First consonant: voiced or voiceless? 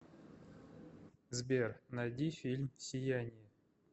voiced